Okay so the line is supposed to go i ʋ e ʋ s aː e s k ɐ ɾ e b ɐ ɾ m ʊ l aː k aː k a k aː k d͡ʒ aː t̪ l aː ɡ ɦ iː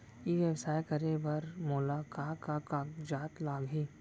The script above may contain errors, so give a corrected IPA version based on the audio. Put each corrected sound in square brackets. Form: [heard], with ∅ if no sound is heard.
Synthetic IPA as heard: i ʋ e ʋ s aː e [∅] k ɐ ɾ e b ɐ ɾ m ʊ l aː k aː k a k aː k d͡ʒ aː t̪ l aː ɡ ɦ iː